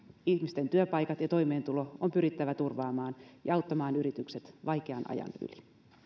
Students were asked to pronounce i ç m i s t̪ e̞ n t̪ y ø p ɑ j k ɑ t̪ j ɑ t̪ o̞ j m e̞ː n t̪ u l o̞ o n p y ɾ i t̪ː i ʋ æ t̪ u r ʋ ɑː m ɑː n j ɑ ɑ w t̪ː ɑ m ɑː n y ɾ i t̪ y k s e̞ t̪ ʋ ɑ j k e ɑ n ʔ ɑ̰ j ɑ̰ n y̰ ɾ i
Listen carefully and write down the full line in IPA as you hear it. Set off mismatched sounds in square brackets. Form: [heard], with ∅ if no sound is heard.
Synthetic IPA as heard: i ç m i s t̪ e̞ n t̪ y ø p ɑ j k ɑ t̪ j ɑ t̪ o̞ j m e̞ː n t̪ u l o̞ o [m] p y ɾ i t̪ː [æ] ʋ æ t̪ u r ʋ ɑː m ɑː n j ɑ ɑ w t̪ː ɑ m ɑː n y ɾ i t̪ y k s e̞ t̪ ʋ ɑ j k e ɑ n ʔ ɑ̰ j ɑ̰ n y̰ [l] i

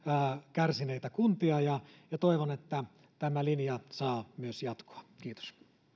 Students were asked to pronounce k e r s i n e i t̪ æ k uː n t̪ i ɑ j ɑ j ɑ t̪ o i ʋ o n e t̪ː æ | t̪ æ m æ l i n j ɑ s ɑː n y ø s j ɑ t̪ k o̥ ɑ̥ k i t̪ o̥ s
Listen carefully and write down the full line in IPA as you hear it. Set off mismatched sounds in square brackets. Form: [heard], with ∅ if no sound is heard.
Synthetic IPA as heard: k [æ] r s i n e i t̪ æ k [u] n t̪ i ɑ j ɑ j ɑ t̪ o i ʋ o n e t̪ː æ | t̪ æ m æ l i n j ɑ s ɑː [m] y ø s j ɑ t̪ k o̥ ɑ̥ k [iː] t̪ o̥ s

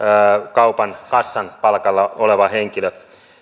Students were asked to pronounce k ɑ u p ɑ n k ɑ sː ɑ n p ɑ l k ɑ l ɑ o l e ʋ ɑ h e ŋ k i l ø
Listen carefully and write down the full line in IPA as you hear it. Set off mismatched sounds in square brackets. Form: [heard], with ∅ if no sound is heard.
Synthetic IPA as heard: k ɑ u p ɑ n k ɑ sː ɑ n p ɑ l k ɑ [lː] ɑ o l e ʋ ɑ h e ŋ k i l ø

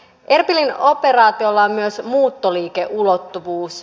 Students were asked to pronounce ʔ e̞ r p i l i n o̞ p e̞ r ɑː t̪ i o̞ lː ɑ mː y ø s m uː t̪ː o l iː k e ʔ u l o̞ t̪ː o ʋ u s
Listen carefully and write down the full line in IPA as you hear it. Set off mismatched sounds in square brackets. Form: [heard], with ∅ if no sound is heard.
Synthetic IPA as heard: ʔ e̞ r p i l i n o̞ p e̞ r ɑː t̪ i o̞ lː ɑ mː y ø s m uː t̪ː o l iː k e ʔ u l o̞ t̪ː [u] ʋ [uː] s

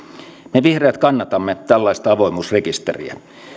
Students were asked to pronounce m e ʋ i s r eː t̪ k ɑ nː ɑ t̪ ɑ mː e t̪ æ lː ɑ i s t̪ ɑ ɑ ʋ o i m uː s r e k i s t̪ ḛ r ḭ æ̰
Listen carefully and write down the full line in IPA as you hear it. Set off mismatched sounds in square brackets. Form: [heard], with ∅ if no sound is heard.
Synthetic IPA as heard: m e ʋ i [h] r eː t̪ k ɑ nː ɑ t̪ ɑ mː e t̪ æ lː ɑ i s t̪ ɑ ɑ ʋ o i m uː s r e k i s t̪ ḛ r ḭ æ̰

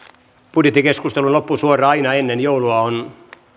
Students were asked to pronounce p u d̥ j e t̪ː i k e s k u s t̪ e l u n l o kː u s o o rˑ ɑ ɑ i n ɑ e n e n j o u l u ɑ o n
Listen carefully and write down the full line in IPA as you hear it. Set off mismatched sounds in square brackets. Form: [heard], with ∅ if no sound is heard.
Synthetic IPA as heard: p u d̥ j e t̪ː i k e s k u s t̪ e l u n l o [pː] u s [u] o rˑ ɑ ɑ i n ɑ e [nː] e n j o u l u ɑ o n

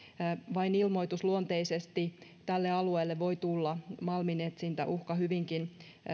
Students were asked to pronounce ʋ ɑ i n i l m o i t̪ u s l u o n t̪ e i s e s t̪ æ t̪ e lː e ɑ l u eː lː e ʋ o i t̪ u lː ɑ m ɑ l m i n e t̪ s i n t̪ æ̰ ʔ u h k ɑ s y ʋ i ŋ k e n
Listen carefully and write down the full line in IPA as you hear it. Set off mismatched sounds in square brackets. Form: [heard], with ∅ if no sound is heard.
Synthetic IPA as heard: ʋ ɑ i n i l m o i t̪ u s l u o n t̪ e i s e s t̪ [i] t̪ [æ] lː e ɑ l u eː lː e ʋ o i t̪ u lː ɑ m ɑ l m i n e t̪ s i n t̪ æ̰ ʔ u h k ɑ [h] y ʋ i ŋ k [i] n

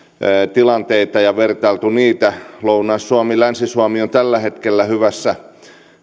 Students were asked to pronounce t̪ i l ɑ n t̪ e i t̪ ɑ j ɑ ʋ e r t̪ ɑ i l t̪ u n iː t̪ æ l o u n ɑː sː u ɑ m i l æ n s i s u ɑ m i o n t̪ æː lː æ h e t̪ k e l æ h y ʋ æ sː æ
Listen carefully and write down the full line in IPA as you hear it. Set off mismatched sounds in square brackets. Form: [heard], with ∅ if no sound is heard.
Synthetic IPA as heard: t̪ i l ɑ n t̪ e i t̪ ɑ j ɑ ʋ e r t̪ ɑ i l t̪ u n iː t̪ æ l o u n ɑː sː u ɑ m i l æ n s i s u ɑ m i o n t̪ [æ] lː æ h e t̪ k e [lː] æ h y ʋ æ sː æ

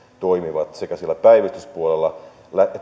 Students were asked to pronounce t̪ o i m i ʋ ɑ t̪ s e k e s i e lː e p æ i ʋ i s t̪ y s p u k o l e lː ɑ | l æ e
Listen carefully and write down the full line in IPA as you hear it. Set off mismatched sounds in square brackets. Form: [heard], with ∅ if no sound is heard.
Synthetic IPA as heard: t̪ o i m i ʋ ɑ t̪ s e k [æ] s i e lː [æ] p æ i ʋ i s t̪ y s p u [∅] o l e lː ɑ | l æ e

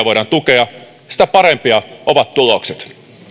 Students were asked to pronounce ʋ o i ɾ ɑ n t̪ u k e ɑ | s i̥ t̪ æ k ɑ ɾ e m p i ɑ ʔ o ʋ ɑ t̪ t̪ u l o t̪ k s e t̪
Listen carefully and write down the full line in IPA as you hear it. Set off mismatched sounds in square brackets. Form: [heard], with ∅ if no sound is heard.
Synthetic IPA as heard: ʋ o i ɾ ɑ n t̪ u k e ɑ | s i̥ t̪ æ [p] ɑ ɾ e m p i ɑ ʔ o ʋ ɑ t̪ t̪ u l o [∅] k s e t̪

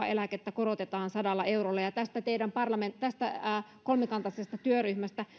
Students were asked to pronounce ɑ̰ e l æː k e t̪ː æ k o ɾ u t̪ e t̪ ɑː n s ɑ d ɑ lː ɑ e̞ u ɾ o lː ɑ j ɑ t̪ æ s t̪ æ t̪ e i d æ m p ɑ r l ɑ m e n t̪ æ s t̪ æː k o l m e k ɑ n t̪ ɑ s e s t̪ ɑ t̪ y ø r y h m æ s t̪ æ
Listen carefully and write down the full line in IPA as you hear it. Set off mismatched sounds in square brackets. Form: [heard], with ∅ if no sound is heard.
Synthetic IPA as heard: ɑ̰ e l [æ] k e t̪ː æ k o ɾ [o] t̪ e t̪ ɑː n s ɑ d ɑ lː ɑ e̞ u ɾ o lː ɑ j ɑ t̪ æ s t̪ æ t̪ e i d æ m p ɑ r l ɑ m e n t̪ æ s t̪ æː k o l m e k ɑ n t̪ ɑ s e s t̪ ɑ t̪ y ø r y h m æ s t̪ æ

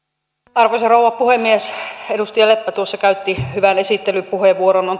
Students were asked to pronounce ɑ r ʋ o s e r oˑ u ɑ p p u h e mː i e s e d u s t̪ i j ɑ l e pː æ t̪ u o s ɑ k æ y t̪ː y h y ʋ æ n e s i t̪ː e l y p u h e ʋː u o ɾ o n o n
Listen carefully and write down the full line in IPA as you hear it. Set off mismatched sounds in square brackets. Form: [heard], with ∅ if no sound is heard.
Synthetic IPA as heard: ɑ r ʋ o s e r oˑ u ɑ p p u h e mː i e s e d u s t̪ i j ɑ l e pː æ t̪ u o [sː] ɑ k æ y t̪ː [i] h y ʋ æ n e s i t̪ː e l y p u h e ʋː u o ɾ o n o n

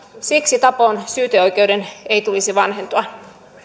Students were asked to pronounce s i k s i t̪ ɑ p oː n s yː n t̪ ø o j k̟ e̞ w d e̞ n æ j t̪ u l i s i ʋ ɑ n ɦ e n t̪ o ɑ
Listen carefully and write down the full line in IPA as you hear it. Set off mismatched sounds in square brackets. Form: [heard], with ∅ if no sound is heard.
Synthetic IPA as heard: s i k s i t̪ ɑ p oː n s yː [∅] t̪ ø o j k̟ e̞ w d e̞ n [e] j t̪ u l i s i ʋ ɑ n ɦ e n t̪ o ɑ

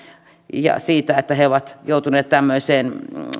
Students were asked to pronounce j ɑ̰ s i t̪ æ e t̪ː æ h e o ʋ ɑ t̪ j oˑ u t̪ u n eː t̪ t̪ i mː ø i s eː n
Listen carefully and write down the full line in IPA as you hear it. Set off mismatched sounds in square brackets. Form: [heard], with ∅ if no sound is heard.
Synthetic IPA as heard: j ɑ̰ s [iː] t̪ æ e t̪ː æ h e o ʋ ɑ t̪ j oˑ u t̪ u n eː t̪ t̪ [æ] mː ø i s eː n

